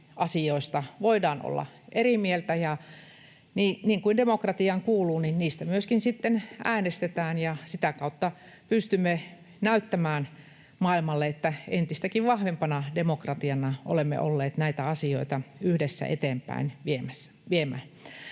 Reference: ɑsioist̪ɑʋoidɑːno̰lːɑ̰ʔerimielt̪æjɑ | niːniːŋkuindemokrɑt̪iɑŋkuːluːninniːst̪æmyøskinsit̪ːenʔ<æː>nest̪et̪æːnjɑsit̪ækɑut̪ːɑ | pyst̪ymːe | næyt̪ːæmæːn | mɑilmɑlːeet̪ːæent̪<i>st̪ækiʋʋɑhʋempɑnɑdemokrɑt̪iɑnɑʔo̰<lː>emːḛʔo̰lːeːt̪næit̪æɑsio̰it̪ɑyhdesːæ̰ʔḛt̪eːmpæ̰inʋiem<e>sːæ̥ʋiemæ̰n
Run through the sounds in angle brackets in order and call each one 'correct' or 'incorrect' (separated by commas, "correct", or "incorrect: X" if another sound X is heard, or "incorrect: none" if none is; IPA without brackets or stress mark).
correct, correct, incorrect: l, incorrect: æ